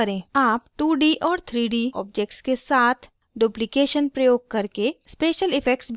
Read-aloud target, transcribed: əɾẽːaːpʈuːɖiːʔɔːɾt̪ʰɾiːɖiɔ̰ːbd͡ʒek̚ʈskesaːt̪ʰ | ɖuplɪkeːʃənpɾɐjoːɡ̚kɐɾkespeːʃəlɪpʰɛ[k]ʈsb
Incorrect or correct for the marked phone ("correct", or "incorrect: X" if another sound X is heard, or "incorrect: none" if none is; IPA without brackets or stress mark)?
correct